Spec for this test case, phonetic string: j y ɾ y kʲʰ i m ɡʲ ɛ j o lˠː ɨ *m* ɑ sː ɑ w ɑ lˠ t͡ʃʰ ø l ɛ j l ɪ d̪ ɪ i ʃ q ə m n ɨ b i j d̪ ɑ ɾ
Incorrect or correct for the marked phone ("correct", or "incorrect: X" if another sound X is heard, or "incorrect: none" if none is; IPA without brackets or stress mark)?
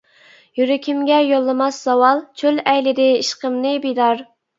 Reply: correct